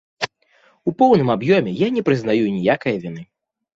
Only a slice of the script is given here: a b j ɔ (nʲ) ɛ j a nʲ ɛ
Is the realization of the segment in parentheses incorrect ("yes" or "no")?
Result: yes